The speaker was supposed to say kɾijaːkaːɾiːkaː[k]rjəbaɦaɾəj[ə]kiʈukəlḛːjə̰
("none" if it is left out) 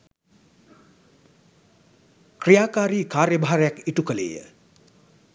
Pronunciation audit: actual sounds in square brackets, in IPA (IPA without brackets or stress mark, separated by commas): none, a